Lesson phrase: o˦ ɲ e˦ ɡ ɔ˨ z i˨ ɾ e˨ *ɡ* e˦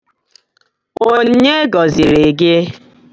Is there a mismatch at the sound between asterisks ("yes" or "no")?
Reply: no